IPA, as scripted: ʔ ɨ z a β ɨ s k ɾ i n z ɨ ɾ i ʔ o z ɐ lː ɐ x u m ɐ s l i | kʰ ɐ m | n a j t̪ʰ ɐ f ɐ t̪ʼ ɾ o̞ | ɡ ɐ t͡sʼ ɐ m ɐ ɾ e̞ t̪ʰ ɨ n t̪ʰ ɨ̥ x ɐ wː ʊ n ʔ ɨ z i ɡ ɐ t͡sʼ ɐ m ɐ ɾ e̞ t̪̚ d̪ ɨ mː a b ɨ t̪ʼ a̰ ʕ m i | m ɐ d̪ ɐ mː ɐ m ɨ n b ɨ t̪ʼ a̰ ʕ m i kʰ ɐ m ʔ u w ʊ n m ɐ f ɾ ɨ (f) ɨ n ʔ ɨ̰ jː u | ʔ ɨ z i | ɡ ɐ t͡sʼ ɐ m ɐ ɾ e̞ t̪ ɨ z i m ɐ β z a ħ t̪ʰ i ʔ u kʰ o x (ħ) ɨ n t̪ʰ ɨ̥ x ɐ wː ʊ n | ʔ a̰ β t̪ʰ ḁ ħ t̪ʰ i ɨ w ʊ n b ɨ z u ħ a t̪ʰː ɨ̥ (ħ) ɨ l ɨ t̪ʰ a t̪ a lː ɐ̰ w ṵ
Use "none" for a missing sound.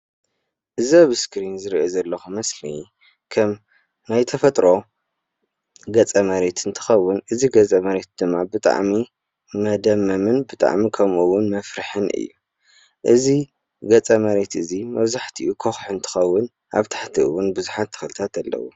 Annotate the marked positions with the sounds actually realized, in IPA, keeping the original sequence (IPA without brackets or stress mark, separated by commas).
ħ, ħ, x